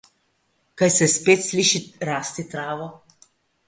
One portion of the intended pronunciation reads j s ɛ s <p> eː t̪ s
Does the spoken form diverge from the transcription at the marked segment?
no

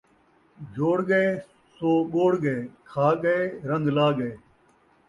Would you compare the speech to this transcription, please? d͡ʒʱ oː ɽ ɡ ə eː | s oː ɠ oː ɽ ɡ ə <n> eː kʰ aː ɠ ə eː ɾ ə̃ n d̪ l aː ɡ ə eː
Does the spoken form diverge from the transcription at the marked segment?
yes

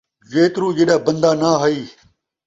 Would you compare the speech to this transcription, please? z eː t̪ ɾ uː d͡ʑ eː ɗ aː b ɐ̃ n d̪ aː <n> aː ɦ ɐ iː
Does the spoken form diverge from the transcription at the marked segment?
no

